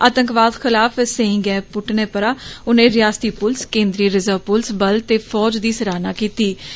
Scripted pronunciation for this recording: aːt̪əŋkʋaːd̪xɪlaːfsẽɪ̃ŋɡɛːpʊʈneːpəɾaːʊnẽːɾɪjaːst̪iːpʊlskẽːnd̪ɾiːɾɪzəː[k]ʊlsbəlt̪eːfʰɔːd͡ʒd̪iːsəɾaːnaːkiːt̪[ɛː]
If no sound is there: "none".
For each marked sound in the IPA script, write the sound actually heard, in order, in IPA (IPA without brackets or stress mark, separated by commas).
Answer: p, iː